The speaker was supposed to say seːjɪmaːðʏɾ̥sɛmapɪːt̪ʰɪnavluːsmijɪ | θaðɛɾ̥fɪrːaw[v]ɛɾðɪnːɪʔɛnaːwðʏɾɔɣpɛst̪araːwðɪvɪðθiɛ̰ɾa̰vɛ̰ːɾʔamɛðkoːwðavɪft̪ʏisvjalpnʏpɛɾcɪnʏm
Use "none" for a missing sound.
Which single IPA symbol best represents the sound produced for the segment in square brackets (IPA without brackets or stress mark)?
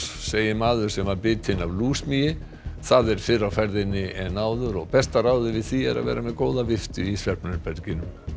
f